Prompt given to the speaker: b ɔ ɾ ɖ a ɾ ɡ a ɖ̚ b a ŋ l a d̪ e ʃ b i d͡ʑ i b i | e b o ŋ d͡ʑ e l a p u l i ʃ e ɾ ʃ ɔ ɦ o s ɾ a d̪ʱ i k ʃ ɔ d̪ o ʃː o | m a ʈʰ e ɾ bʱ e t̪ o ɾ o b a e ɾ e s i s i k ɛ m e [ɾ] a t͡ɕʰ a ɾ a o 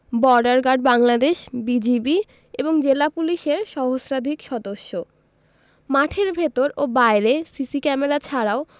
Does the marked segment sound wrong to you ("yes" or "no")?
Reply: no